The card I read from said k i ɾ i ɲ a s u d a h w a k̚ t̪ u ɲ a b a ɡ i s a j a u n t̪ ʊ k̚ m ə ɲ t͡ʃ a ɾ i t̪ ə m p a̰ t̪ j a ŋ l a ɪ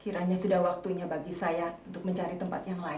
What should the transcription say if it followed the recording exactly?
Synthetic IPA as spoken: k i ɾ a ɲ a s u d a h w a k̚ t̪ u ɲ a b a ɡ i s a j a u n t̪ ʊ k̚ m ə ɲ t͡ʃ a ɾ i t̪ ə m p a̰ t̪ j a ŋ l a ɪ